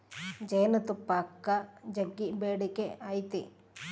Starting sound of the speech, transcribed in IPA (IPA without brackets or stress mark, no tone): d͡ʒ